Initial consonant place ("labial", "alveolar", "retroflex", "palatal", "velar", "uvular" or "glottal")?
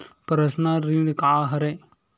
labial